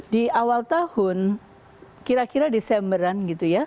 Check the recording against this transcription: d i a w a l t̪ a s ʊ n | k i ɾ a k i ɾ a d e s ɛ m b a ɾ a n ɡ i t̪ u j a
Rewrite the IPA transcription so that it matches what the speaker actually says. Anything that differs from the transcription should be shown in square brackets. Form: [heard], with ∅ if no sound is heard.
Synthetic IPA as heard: d i a w a l t̪ a [h] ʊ n | k i ɾ a k i ɾ a d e s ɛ m b [ə] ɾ a n ɡ i t̪ u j a

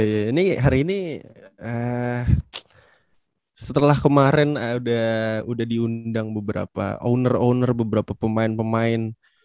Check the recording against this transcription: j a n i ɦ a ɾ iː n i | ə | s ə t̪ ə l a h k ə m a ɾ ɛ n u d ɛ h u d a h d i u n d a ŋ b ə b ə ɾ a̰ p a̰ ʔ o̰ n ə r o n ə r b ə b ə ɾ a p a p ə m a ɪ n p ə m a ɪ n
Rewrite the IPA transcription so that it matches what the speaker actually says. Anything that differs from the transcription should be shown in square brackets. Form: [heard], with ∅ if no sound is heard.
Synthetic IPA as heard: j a n i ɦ a ɾ iː n i | ə | s ə t̪ ə l a h k ə m a ɾ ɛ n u d [a] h u d a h d i u n d a ŋ b ə b ə ɾ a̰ p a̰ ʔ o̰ n ə r o n ə r b ə b ə ɾ a p a p ə m a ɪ n p ə m a ɪ n

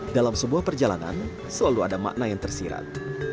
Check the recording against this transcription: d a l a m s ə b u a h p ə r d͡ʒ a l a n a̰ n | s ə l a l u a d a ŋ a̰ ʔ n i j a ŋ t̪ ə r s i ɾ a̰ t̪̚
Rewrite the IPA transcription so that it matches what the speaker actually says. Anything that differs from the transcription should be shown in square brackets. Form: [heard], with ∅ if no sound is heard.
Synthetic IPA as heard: d a l a m s ə b u a h p ə r d͡ʒ a l a n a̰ n | s ə l a l u a d a [m] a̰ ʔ n [a] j a ŋ t̪ ə r s i ɾ a̰ t̪̚

